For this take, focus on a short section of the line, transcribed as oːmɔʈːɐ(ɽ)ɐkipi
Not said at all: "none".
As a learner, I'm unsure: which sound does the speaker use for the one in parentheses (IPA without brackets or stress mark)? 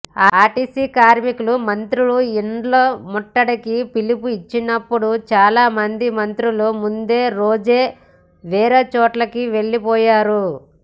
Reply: ɽ